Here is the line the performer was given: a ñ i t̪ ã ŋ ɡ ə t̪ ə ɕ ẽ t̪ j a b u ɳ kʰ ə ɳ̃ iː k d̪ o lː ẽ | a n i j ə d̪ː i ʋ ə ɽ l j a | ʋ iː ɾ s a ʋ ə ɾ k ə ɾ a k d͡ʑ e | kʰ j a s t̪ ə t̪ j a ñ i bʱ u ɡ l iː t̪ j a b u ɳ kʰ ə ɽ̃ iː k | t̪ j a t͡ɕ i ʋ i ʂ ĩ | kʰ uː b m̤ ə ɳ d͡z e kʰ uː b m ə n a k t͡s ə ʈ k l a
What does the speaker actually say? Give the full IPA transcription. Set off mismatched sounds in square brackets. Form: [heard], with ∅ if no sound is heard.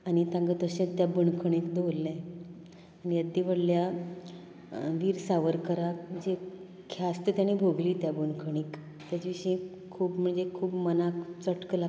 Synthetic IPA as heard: a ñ i t̪ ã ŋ ɡ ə t̪ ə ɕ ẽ t̪ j a b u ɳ kʰ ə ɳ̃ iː k d̪ o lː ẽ | a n i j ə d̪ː i ʋ ə ɽ l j a | ʋ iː ɾ s a ʋ ə ɾ k ə ɾ a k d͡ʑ e | kʰ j a s t̪ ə t̪ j a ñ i bʱ [o] ɡ l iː t̪ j a b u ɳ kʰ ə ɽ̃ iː k | t̪ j a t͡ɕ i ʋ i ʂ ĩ | kʰ uː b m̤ ə ɳ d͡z e kʰ uː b m ə n a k t͡s ə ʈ k l a